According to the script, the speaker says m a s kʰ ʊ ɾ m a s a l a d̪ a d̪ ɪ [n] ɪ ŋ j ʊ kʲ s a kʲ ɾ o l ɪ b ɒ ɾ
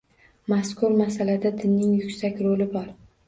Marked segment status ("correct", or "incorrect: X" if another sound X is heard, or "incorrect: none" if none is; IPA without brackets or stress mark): incorrect: nː